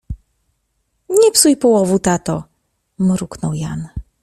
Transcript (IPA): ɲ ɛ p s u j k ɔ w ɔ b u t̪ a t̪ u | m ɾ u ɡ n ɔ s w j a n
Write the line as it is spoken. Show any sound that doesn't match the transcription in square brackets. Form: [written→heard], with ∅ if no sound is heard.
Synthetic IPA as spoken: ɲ ɛ p s u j [k→p] ɔ w ɔ [b→v] u t̪ a t̪ [u→ɔ] | m ɾ u [ɡ→k] n ɔ [s→∅] w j a n